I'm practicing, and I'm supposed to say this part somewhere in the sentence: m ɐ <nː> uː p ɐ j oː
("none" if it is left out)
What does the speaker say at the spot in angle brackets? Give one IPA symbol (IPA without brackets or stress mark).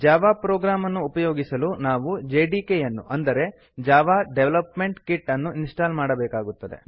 nː